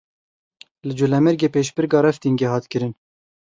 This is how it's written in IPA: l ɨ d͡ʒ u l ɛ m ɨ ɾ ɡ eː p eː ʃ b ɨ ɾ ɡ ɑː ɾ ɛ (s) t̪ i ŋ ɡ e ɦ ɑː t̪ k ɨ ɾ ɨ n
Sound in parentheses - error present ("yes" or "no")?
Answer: yes